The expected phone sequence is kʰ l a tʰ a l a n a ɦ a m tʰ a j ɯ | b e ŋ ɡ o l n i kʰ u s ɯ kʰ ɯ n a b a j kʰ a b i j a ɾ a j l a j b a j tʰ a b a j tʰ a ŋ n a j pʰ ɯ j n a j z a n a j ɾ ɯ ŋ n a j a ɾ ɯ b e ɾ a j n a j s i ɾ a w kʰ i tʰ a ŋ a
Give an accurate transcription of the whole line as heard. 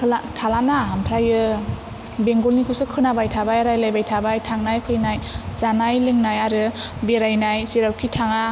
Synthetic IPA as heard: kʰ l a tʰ a l a n a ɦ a m tʰ a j ɯ | b e ŋ ɡ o l n i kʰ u s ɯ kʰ ɯ n a b a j tʰ a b a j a ɾ a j l a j b a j tʰ a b a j tʰ a ŋ n a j pʰ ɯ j n a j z a n a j l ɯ ŋ n a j a ɾ ɯ b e ɾ a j n a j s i ɾ a w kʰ i tʰ a ŋ a